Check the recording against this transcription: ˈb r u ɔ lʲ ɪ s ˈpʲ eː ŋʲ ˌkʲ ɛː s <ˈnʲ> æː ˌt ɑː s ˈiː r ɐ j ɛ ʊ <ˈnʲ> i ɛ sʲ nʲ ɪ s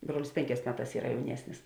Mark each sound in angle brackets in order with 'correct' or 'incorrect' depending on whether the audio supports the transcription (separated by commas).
incorrect, correct